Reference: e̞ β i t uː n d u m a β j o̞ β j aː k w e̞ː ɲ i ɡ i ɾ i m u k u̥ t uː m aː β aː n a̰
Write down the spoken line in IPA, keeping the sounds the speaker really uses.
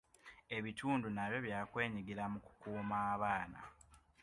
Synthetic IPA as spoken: e̞ β i t uː n d u n a β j o̞ β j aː k w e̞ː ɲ i ɡ i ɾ a m u k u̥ k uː m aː β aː n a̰